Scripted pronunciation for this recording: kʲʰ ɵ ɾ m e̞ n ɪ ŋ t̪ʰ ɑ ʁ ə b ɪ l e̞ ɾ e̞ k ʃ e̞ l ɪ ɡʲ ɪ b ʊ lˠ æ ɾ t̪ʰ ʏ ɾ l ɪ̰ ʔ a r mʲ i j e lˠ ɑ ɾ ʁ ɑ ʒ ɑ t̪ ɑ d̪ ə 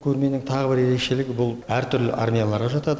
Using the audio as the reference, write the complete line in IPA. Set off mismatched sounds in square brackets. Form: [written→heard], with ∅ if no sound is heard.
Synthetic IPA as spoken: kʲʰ ɵ ɾ m e̞ n ɪ ŋ t̪ʰ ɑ ʁ ə b ɪ [l→ɾ] e̞ ɾ e̞ k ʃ e̞ l ɪ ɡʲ ɪ b ʊ lˠ æ ɾ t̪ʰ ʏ ɾ l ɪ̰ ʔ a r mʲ i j [e→a] lˠ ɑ ɾ ʁ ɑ ʒ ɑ t̪ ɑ d̪ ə